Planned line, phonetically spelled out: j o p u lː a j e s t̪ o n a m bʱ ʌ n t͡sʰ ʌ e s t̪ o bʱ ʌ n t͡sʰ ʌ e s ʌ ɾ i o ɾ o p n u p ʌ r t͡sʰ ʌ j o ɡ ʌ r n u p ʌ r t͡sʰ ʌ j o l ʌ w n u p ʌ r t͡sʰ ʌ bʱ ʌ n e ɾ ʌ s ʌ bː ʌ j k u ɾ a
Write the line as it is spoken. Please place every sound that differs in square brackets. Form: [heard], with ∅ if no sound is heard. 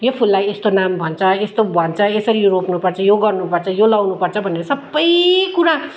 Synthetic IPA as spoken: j o [pʰ] u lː a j e s t̪ o n a m bʱ ʌ n t͡sʰ ʌ e s t̪ o bʱ ʌ n t͡sʰ ʌ e s ʌ ɾ i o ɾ o p n u p ʌ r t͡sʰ ʌ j o ɡ ʌ r n u p ʌ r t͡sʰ ʌ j o l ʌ w n u p ʌ r t͡sʰ ʌ bʱ ʌ n e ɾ ʌ s ʌ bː ʌ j k u ɾ a